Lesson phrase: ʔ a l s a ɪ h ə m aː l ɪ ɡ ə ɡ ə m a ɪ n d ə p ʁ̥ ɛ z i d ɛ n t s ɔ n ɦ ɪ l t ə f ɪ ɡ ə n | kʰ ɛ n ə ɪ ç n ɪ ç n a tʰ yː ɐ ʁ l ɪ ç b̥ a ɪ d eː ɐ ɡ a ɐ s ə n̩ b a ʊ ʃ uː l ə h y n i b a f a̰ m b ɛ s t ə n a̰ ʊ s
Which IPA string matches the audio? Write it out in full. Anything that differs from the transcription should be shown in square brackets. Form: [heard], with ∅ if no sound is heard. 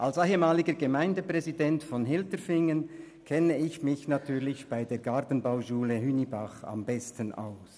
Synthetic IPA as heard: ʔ a l s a ɪ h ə m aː l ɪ ɡ ə ɡ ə m a ɪ n d ə p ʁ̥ ɛ z i d ɛ n t [f] ɔ n ɦ ɪ l t ə f ɪ [ŋ] ə n | kʰ ɛ n ə ɪ ç [m] ɪ ç n a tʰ yː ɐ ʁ l ɪ ç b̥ a ɪ d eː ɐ ɡ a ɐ [t] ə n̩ b a ʊ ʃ uː l ə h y n i b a [χ] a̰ m b ɛ s t ə n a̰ ʊ s